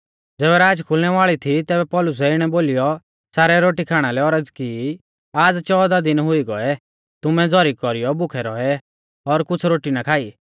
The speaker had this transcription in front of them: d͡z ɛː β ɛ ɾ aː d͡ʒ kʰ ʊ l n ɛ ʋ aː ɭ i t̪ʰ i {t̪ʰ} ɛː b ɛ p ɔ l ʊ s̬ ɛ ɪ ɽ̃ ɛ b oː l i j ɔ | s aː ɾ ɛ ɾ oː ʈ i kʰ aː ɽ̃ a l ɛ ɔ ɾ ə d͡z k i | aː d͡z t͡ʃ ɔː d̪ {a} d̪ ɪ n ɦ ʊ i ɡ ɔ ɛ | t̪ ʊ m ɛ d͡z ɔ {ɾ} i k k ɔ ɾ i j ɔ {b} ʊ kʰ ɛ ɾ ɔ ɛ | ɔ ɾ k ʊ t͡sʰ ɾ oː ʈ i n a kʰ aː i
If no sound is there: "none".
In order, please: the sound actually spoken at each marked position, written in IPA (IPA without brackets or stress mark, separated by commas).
t̪, a, ɾ, b